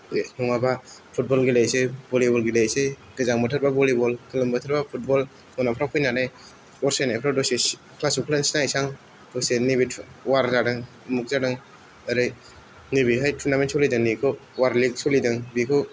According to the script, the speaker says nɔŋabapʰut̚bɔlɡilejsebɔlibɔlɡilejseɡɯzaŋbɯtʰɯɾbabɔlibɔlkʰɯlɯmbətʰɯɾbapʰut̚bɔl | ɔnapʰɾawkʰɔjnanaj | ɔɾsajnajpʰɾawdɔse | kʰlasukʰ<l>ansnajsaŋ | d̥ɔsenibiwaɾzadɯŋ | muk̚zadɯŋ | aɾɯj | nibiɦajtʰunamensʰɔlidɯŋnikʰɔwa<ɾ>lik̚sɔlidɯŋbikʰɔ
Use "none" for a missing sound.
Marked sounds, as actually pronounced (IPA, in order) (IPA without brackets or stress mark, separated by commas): l, ɾ